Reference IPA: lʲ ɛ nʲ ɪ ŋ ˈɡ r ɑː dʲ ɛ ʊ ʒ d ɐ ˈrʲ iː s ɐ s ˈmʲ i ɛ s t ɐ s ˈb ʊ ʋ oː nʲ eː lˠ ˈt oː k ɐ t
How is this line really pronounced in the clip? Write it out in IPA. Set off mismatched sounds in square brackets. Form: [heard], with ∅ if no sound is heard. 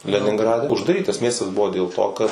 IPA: lʲ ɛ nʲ ɪ ŋ ˈɡ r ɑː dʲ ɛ ʊ ʒ d ɐ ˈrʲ iː [t] ɐ s ˈmʲ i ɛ s t ɐ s ˈb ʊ ʋ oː [dʲ] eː lˠ ˈt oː k ɐ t

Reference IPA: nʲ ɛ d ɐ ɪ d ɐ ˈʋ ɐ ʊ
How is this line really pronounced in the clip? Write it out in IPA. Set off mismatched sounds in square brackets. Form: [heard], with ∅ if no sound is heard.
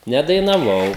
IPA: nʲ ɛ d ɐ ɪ [n] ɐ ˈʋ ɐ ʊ

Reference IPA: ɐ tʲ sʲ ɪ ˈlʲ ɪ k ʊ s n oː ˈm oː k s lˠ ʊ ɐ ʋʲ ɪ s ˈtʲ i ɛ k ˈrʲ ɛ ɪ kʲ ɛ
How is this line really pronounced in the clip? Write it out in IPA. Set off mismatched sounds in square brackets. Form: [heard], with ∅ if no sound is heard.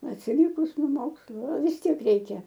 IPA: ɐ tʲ sʲ ɪ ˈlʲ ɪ k ʊ s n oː ˈm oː k s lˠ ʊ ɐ ʋʲ ɪ s ˈtʲ i ɛ k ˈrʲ ɛ ɪ kʲ ɛ

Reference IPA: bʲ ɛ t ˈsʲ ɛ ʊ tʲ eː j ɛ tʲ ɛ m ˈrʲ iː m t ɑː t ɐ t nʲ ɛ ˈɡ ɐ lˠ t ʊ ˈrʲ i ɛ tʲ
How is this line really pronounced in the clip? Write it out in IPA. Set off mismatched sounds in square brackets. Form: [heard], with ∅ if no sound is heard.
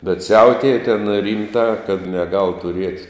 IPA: bʲ ɛ t ˈsʲ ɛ ʊ tʲ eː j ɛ tʲ ɛ [n] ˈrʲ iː m t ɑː [k] ɐ t nʲ ɛ ˈɡ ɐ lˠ t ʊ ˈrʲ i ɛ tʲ

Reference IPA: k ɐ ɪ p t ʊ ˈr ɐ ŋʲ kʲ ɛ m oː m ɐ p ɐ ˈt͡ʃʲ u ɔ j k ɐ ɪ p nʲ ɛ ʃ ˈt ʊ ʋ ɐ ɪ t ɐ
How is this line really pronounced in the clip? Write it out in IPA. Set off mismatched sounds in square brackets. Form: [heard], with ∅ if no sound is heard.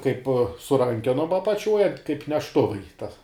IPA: k ɐ ɪ p [s] ʊ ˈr ɐ ŋʲ kʲ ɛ [n] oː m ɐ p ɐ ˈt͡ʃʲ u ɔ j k ɐ ɪ p nʲ ɛ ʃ ˈt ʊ ʋ ɐ ɪ t ɐ

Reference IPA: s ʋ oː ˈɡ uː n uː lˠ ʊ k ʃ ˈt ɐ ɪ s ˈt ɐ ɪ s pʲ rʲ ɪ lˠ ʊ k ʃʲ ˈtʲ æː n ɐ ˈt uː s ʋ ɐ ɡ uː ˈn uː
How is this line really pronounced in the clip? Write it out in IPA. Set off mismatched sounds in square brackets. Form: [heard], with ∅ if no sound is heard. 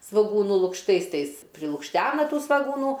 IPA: s ʋ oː ˈɡ uː n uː lˠ ʊ k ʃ ˈt ɐ ɪ s ˈt ɐ ɪ s pʲ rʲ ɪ lˠ ʊ k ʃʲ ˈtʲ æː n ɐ ˈt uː s ʋ ɐ ɡ uː ˈn uː

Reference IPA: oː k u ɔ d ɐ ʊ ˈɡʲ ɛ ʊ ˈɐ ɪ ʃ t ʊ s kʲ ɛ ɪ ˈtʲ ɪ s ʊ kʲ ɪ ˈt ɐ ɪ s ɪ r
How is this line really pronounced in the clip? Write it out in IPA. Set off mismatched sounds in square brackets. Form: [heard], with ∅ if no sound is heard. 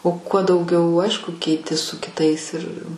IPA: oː k u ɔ d ɐ ʊ ˈɡʲ ɛ ʊ ˈɐ ɪ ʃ [k] ʊ [∅] kʲ ɛ ɪ ˈtʲ ɪ s ʊ kʲ ɪ ˈt ɐ ɪ s ɪ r

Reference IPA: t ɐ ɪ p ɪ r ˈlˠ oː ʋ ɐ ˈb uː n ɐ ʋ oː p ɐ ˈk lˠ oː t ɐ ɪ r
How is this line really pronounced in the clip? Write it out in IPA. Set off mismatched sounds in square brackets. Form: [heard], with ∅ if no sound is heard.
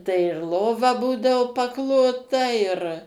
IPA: t ɐ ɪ [∅] ɪ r ˈlˠ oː ʋ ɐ ˈb uː [d] ɐ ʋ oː p ɐ ˈk lˠ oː t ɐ ɪ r

